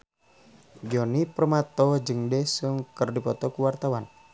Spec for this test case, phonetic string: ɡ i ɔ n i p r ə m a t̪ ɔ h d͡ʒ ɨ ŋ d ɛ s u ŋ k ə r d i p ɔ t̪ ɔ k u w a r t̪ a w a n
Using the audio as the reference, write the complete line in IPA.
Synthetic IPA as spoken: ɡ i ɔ n i p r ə m a t̪ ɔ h d͡ʒ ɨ ŋ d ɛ s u ŋ k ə r d i p ɔ t̪ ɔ k u w a r t̪ a w a n